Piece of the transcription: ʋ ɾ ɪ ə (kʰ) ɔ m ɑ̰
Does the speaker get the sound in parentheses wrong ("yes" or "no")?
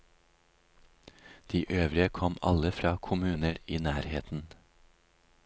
no